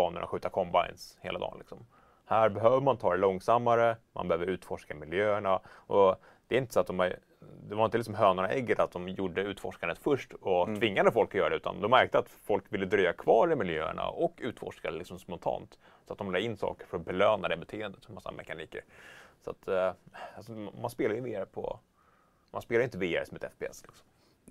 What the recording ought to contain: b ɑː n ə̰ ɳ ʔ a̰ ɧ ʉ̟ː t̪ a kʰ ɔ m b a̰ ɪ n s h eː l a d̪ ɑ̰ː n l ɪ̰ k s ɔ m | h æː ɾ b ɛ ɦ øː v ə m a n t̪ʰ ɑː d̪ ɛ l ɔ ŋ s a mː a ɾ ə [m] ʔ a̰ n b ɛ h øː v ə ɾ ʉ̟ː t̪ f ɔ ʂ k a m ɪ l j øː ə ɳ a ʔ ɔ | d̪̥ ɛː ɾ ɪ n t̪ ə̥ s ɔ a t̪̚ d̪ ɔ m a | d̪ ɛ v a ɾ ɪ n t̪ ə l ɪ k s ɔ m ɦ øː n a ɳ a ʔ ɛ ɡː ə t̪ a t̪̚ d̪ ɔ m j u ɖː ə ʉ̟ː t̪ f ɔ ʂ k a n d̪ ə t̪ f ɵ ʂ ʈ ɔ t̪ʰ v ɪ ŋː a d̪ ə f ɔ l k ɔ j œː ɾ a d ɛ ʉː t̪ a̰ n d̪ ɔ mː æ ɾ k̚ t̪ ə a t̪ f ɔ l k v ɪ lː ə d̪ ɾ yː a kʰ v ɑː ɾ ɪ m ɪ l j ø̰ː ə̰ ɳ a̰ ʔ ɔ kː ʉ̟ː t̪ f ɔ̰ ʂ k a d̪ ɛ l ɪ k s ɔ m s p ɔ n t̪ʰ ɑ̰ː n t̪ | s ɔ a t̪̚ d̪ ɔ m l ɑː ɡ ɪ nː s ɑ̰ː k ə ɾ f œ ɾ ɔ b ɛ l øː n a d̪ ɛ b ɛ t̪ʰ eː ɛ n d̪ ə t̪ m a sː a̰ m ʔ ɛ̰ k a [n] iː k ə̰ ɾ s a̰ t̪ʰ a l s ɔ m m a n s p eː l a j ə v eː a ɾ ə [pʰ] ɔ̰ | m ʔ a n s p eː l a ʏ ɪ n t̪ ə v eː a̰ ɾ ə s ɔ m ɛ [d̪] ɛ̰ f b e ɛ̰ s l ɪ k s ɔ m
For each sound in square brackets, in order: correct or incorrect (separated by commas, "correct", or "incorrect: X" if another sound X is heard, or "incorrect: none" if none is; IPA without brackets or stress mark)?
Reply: correct, correct, correct, incorrect: t̪